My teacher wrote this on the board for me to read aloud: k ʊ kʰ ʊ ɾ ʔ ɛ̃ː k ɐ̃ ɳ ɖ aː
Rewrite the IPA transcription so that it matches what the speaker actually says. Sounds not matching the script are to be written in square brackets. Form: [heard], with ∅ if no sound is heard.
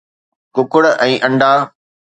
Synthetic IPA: k ʊ [k] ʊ [ɽ] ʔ ɛ̃ː [ʔ] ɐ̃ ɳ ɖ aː